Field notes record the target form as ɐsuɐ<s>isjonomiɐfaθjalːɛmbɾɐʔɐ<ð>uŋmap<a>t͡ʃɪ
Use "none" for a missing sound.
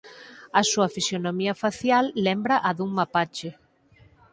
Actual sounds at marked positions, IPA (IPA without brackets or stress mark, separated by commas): f, ð, a